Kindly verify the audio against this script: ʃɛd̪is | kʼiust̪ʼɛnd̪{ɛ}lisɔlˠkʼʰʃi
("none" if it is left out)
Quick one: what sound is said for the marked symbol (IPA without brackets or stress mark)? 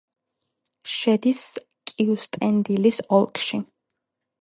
i